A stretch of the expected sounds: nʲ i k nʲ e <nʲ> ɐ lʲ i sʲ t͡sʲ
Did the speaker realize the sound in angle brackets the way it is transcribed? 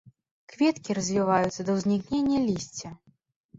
no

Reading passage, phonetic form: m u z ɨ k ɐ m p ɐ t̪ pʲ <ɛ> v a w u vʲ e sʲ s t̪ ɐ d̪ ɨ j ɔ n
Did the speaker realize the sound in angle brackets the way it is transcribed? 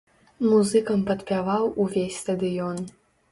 no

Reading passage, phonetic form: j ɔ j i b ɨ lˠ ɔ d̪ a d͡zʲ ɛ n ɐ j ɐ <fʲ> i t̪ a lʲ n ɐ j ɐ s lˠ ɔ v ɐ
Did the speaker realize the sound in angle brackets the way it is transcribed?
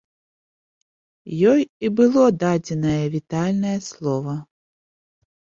no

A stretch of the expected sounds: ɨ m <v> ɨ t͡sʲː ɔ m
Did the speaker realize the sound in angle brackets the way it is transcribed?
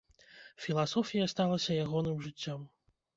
no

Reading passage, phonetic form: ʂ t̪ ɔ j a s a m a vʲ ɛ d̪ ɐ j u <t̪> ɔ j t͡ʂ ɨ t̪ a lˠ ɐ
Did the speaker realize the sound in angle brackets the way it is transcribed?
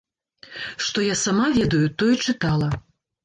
yes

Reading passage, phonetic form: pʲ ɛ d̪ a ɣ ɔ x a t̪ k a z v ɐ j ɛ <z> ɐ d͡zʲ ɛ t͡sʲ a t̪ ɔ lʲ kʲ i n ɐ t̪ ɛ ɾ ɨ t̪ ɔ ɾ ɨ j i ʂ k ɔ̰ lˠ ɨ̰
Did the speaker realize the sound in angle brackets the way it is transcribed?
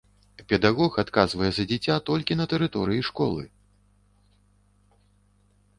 yes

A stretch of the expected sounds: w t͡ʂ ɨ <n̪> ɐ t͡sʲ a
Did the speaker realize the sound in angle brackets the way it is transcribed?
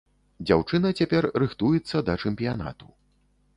yes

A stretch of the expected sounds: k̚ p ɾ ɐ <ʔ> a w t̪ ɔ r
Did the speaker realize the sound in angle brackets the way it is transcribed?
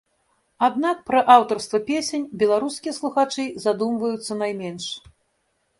yes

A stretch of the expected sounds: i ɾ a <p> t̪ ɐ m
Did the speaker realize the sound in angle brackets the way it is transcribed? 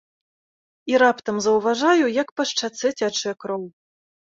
yes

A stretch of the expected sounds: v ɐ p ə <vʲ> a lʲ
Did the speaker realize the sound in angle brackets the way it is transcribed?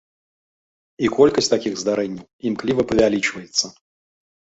yes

